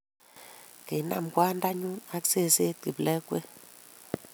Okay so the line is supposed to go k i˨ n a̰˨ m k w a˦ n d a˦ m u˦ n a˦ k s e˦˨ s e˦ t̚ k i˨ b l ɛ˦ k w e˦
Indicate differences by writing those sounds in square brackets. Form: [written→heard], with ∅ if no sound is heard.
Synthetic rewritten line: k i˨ n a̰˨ m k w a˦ n d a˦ [m→ɲ] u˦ n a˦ k s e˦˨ s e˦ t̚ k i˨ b l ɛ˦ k w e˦